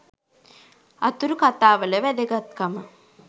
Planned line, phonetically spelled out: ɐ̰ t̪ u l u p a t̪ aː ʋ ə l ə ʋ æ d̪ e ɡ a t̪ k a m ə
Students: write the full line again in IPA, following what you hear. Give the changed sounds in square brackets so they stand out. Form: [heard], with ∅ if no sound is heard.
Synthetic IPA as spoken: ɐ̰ t̪ u [ɾ] u [k] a t̪ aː ʋ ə l ə ʋ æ d̪ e ɡ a t̪ k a m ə